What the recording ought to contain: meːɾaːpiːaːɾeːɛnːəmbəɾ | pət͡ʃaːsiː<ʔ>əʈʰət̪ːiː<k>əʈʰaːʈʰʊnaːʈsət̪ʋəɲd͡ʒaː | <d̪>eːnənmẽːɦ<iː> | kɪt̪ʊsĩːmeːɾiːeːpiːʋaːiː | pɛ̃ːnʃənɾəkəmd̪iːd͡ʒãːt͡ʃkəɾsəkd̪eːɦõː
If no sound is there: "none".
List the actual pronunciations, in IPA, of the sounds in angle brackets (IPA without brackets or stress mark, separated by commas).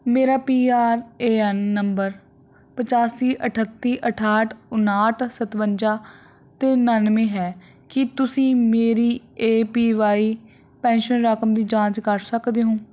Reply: ʔ, ʔ, t̪, ɛː